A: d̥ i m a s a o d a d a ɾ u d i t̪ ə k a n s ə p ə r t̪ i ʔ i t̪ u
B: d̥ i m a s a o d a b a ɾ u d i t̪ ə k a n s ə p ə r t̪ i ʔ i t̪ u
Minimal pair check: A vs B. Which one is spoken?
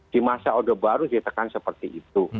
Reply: B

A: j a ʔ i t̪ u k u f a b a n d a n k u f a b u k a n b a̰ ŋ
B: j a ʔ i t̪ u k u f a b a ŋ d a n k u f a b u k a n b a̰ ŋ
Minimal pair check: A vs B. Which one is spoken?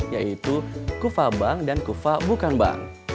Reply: B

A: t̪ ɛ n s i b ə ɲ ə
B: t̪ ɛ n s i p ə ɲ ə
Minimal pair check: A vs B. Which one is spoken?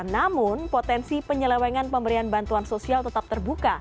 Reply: B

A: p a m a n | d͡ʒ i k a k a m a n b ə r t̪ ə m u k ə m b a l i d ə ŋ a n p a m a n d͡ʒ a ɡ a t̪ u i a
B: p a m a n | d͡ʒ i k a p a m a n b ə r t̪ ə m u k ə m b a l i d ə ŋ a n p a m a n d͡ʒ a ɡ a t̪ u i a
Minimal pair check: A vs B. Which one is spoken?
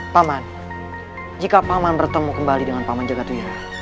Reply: B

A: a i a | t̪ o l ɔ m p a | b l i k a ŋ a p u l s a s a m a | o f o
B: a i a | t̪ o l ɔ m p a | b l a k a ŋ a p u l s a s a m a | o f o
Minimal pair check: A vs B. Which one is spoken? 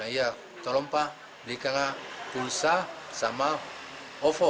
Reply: A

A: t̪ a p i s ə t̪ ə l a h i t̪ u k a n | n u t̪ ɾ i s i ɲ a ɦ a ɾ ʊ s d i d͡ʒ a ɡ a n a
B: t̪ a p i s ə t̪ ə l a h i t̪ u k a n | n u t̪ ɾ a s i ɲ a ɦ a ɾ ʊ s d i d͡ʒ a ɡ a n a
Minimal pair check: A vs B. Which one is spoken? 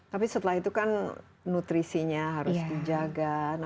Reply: A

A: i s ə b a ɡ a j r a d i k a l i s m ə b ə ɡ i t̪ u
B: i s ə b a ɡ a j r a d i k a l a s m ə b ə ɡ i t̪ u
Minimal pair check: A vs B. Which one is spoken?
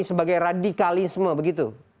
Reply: A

